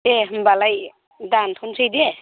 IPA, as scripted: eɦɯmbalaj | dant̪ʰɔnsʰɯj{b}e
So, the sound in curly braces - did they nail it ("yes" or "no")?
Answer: no